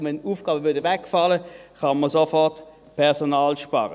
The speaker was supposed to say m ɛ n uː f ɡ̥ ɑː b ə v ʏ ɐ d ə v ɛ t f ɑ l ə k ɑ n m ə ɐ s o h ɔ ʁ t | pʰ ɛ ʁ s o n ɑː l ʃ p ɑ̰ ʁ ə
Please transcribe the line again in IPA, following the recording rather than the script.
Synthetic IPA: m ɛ n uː f ɡ̥ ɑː b ə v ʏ ɐ d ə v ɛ k f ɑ l ə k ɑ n m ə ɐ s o f ɔ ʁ t | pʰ ɛ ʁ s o n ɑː l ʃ p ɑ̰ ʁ ə